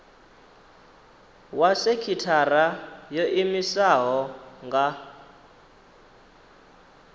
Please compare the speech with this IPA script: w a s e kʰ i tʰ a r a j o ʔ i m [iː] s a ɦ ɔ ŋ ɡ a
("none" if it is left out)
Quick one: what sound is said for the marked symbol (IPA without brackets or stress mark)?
i